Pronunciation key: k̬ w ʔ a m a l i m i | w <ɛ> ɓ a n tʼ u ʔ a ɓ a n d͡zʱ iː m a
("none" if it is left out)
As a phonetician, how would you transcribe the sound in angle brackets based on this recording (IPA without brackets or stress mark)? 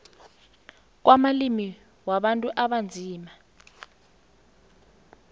a